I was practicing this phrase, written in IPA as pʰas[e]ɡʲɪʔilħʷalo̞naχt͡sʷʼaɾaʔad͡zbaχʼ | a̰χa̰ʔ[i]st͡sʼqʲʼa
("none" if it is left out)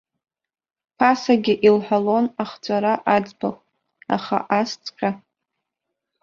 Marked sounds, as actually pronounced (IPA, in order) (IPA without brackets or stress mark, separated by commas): a, a